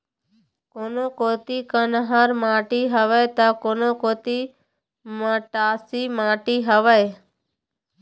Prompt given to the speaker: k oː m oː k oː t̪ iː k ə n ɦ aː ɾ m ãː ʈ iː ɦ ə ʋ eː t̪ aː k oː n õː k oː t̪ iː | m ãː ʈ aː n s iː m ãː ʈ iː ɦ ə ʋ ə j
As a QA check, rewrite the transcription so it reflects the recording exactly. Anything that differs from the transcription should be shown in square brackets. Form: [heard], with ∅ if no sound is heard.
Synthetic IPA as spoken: k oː [n] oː k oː t̪ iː k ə n ɦ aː ɾ m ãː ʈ iː ɦ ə ʋ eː t̪ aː k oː n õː k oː t̪ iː | m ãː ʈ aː [∅] s iː m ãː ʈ iː ɦ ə ʋ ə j